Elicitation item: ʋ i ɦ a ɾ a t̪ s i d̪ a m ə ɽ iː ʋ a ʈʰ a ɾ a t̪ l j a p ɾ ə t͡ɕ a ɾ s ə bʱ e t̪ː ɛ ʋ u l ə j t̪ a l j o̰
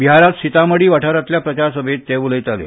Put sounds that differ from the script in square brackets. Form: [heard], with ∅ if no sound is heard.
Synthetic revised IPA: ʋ i ɦ a ɾ a t̪ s i [t̪] a m ə ɽ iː ʋ a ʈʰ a ɾ a t̪ l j a p ɾ ə t͡ɕ a ɾ s ə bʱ e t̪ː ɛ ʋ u l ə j t̪ a l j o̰